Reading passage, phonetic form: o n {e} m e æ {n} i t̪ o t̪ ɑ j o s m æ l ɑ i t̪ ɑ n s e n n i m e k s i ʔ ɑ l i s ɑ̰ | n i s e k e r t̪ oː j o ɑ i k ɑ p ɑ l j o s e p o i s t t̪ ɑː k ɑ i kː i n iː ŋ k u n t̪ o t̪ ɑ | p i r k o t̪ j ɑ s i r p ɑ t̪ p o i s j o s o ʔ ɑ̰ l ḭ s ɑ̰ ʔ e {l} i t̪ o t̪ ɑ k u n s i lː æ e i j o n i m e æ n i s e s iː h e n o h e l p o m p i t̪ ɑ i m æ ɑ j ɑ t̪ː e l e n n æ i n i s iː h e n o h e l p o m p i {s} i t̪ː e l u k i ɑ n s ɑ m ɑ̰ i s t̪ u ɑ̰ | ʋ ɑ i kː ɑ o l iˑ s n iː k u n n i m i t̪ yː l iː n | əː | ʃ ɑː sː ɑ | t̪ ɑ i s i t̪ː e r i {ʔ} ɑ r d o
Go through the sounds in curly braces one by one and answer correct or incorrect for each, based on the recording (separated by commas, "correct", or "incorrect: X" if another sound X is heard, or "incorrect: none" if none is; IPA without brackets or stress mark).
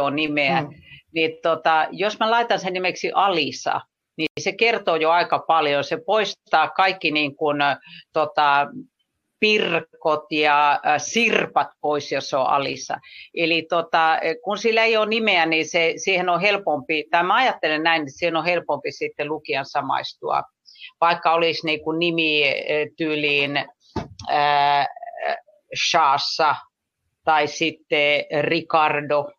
incorrect: i, correct, correct, correct, incorrect: k